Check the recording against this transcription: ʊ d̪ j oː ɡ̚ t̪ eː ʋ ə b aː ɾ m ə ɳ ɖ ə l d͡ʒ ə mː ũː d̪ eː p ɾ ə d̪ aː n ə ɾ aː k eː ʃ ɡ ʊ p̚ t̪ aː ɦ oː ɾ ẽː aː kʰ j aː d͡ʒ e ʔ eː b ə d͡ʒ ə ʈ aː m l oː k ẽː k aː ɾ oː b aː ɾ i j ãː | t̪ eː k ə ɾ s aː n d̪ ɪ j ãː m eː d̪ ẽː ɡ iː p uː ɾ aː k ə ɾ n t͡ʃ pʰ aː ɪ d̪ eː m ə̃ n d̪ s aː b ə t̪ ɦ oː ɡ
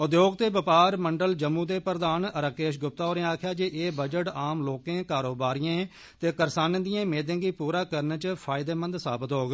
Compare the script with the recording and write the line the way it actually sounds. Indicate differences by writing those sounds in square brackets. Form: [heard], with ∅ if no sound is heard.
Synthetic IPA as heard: ʊ d̪ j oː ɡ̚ t̪ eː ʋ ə [p] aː ɾ m ə ɳ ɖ ə l d͡ʒ ə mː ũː d̪ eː p ɾ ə d̪ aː n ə ɾ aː k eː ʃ ɡ ʊ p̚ t̪ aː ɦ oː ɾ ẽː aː kʰ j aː d͡ʒ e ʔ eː b ə d͡ʒ ə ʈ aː m l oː k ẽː k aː ɾ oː b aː ɾ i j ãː | t̪ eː k ə ɾ s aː n d̪ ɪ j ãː m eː d̪ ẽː ɡ iː p uː ɾ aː k ə ɾ n t͡ʃ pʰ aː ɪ d̪ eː m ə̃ n d̪ s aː b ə t̪ ɦ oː ɡ